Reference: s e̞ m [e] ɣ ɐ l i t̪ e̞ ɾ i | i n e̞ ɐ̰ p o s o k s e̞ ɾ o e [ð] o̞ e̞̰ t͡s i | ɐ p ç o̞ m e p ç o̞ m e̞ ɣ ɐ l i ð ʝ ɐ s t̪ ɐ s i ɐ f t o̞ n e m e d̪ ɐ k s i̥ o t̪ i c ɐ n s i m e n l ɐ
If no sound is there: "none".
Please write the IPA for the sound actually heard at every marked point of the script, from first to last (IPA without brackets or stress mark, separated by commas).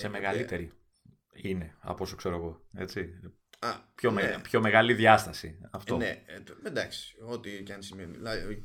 e, ɣ